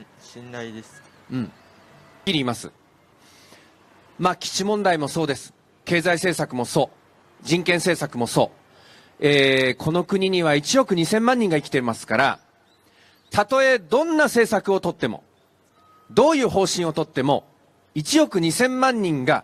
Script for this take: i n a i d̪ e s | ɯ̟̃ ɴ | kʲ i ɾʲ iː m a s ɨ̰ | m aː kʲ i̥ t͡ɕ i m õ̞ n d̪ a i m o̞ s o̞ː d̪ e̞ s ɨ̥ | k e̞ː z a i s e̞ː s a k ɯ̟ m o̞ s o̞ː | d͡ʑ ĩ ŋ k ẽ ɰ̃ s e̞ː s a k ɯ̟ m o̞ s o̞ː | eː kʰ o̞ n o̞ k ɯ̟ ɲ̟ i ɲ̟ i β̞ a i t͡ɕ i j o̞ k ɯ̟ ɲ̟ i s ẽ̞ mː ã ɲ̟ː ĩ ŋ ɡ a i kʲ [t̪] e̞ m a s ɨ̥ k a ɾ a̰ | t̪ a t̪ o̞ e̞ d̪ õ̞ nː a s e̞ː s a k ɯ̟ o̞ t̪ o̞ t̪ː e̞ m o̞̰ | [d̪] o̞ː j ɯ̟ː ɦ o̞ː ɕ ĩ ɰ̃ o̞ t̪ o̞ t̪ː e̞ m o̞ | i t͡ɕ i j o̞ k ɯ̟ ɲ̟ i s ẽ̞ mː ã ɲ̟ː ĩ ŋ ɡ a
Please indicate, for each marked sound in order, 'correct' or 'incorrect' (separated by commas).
correct, correct